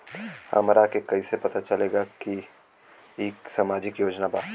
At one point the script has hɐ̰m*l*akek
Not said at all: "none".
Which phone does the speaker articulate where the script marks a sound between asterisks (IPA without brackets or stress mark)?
ɾ